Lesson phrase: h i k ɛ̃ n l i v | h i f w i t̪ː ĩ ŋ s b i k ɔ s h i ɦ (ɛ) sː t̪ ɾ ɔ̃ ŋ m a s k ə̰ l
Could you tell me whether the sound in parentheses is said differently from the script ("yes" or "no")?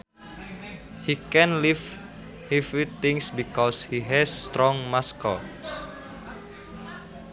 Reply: no